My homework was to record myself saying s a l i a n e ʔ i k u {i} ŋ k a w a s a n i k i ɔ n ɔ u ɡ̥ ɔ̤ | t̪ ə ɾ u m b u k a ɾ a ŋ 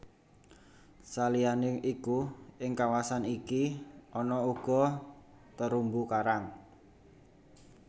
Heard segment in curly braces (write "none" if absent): ɪ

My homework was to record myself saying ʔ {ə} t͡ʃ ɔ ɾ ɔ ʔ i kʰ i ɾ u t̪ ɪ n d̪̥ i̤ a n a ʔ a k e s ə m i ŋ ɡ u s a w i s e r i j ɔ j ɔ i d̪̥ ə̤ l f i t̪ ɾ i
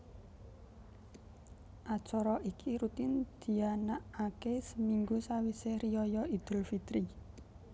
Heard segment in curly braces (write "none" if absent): a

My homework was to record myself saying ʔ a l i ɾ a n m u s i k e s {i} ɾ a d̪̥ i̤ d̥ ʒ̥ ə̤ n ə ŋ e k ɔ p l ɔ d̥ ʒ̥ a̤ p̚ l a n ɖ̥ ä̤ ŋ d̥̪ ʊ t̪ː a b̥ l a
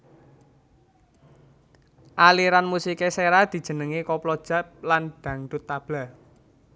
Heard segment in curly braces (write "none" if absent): e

